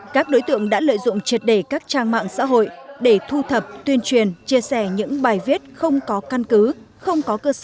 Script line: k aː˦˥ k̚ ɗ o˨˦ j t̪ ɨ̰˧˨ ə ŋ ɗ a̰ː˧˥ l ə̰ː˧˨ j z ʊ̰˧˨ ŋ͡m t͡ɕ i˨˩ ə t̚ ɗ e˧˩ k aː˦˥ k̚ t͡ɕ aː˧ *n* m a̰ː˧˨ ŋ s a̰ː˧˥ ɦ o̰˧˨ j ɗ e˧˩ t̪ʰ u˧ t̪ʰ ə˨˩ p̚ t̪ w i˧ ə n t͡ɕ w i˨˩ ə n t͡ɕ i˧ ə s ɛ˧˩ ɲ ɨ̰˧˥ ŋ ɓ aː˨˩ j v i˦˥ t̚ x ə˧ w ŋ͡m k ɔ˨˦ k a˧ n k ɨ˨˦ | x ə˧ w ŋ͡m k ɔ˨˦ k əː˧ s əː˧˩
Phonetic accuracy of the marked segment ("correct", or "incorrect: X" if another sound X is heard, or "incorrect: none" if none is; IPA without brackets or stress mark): incorrect: ŋ